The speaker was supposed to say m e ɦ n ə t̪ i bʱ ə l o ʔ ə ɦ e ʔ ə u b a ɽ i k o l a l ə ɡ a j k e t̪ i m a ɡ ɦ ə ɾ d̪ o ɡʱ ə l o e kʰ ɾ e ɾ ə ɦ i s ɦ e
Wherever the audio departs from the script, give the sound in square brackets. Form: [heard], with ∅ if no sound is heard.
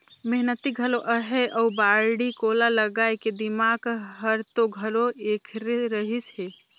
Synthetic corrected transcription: m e ɦ n ə t̪ i [ɡʱ] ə l o ʔ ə ɦ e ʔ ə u b a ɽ i k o l a l ə ɡ a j k e [d̪] i m a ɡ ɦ ə ɾ [t̪] o ɡʱ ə l o e kʰ ɾ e ɾ ə ɦ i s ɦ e